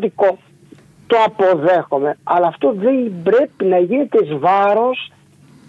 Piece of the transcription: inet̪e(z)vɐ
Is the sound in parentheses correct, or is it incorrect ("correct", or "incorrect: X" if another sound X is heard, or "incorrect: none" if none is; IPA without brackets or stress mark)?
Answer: correct